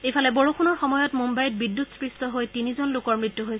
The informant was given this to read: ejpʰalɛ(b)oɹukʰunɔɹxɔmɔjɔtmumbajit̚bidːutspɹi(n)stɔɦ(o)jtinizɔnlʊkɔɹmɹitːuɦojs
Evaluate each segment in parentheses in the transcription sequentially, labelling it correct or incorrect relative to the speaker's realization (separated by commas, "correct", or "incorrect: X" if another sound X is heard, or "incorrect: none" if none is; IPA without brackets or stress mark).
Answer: correct, incorrect: none, correct